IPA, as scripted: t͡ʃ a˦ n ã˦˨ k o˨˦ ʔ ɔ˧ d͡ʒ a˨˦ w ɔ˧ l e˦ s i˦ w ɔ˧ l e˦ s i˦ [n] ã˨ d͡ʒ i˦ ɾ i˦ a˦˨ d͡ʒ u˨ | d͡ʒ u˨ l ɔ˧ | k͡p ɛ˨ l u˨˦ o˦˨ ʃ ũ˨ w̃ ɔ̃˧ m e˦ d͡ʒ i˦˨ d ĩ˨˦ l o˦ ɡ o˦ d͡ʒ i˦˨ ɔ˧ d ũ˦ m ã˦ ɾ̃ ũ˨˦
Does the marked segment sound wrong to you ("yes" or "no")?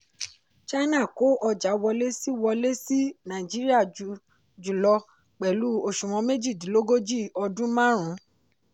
no